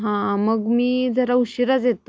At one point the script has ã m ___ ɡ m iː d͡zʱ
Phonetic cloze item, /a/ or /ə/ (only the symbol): ə